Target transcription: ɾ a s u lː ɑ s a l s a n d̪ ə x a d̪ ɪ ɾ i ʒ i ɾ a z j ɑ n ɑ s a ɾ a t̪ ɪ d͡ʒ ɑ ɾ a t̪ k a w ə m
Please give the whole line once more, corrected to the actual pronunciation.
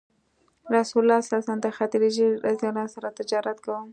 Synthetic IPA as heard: ɾ a s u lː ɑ s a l s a n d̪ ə x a t̪ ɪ ɾ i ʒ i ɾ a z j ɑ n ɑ s a ɾ a t̪ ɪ d͡ʒ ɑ ɾ a t̪ k a w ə m